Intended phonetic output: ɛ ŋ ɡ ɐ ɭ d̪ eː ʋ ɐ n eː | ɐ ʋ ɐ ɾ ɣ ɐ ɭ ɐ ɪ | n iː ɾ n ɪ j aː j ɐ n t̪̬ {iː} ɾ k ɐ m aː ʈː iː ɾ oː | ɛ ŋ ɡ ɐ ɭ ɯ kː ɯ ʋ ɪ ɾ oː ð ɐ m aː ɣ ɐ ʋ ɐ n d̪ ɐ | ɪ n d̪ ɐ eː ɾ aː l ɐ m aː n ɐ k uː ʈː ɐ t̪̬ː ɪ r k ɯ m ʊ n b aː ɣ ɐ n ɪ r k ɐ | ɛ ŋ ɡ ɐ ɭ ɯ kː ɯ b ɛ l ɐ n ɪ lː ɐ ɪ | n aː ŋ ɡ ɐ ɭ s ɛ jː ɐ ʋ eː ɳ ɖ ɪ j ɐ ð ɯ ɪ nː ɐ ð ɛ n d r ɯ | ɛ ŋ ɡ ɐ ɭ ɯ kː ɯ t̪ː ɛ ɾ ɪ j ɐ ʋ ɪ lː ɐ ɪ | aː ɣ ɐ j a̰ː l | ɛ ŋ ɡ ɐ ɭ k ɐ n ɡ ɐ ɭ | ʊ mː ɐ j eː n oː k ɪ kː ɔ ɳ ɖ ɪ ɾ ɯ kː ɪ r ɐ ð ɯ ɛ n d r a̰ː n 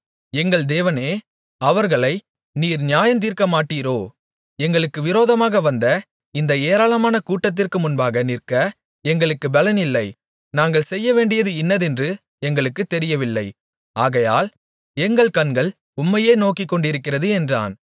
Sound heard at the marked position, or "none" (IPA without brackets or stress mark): iː